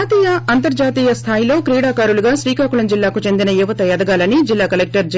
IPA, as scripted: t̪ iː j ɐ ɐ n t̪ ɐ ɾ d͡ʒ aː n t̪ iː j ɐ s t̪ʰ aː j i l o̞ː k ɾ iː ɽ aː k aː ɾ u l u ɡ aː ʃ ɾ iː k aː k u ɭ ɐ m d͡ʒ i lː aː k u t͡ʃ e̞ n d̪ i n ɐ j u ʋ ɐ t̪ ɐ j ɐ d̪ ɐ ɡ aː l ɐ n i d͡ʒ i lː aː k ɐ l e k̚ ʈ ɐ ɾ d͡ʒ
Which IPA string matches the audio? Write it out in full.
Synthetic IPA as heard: t̪ iː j ɐ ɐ n t̪ ɐ ɾ d͡ʒ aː t̪ iː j ɐ s t̪ʰ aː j i l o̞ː k ɾ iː ɽ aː k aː ɾ u l u ɡ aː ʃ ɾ iː k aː k u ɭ ɐ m d͡ʒ i lː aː k u t͡ʃ e̞ n d̪ i n ɐ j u ʋ ɐ t̪ ɐ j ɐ d̪ ɐ ɡ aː l ɐ n i d͡ʒ i lː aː k ɐ l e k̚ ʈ ɐ ɾ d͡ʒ